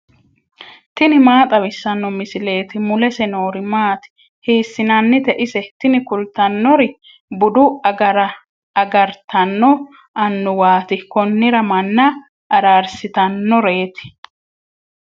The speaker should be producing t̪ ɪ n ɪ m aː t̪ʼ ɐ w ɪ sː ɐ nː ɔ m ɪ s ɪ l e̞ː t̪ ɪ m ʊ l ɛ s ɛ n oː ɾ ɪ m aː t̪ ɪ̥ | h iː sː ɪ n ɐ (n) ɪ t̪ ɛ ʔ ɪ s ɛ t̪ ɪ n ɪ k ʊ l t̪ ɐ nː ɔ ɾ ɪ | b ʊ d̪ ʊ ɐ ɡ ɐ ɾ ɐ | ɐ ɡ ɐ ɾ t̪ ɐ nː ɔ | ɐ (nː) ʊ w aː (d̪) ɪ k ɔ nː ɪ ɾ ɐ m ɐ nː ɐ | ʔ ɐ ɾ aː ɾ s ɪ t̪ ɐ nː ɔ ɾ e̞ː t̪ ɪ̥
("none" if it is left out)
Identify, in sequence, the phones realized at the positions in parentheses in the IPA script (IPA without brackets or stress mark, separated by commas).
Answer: nː, nː, t̪